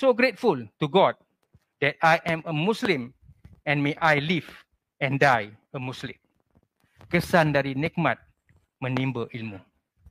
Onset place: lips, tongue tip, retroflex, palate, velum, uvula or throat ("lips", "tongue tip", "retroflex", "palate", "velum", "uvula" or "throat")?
tongue tip